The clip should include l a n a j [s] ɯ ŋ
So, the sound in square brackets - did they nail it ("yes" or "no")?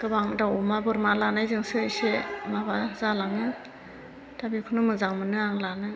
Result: no